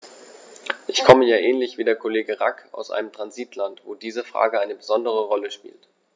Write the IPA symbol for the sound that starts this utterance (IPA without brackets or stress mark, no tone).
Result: ʔ